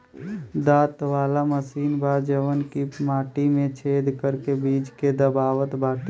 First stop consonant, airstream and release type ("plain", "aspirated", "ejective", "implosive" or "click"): plain